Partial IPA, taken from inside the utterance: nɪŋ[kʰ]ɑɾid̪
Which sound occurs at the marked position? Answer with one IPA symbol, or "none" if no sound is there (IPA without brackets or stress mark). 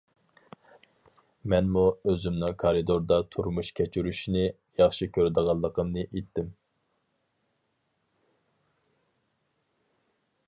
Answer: kʰ